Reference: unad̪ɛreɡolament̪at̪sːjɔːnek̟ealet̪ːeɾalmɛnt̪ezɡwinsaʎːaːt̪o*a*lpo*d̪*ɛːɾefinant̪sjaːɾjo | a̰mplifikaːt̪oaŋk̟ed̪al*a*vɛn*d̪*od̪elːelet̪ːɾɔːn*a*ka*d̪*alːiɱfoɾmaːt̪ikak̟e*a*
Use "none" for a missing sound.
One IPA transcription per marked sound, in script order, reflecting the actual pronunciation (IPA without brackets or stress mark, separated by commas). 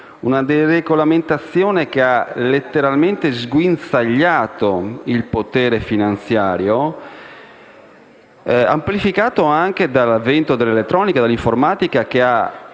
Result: i, t̪, a, t̪, i, d̪, a